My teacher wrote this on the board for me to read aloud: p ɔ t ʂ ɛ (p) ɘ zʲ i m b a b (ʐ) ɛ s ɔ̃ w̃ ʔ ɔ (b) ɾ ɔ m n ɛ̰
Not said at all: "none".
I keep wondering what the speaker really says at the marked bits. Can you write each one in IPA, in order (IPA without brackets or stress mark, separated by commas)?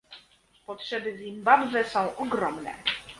b, v, ɡ